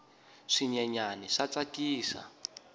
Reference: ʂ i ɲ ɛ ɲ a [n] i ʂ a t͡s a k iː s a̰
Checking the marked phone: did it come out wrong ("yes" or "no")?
no